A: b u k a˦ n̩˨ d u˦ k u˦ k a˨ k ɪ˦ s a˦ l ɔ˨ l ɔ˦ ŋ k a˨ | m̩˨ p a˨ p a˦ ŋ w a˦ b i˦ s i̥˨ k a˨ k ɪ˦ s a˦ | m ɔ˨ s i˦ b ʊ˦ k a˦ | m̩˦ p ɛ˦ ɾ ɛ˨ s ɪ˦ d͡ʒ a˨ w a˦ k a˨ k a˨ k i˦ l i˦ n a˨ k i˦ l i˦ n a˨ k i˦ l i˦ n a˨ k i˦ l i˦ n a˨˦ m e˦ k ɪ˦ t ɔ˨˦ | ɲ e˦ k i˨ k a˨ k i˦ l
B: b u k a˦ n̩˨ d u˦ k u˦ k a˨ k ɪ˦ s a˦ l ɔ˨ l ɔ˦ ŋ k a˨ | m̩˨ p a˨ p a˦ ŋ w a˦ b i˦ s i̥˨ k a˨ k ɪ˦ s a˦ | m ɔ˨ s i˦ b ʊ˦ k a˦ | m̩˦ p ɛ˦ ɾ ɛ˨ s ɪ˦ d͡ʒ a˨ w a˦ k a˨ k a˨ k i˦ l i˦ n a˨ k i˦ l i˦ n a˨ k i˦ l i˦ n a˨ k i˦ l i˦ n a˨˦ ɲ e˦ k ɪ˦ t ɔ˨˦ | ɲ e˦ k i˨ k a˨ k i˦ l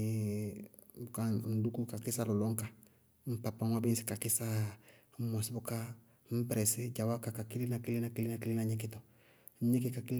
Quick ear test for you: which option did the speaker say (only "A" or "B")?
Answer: B